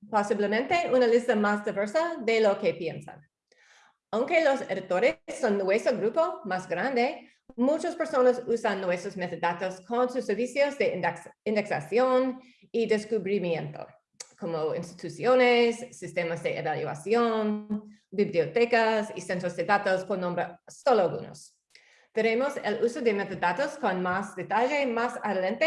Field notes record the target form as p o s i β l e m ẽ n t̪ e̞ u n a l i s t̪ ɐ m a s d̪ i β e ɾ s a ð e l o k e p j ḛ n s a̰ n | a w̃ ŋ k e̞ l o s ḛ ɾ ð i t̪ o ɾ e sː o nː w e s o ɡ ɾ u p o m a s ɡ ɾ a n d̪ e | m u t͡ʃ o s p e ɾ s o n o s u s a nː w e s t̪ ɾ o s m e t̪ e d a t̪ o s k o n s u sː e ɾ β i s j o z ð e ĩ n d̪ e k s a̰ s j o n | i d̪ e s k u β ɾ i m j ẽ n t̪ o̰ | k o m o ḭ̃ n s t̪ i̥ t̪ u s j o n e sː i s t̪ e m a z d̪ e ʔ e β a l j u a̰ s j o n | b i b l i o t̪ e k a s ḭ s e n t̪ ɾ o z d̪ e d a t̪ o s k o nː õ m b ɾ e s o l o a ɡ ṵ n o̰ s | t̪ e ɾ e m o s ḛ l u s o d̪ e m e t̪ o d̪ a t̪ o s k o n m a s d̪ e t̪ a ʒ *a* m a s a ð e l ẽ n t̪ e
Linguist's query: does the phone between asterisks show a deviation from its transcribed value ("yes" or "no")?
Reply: yes